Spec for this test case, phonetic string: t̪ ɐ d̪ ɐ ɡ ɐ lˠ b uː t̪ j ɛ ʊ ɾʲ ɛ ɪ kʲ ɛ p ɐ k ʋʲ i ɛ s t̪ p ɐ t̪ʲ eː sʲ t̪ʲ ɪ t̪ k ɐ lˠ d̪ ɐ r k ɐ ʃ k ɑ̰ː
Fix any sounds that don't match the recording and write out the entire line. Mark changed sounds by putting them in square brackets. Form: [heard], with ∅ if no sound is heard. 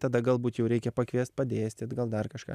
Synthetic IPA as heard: t̪ ɐ d̪ ɐ ɡ ɐ lˠ b uː t̪ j ɛ ʊ ɾʲ ɛ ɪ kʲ ɛ p ɐ k ʋʲ i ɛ s t̪ p ɐ [d̪ʲ] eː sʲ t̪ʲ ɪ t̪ [ɡ] ɐ lˠ d̪ ɐ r k ɐ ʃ k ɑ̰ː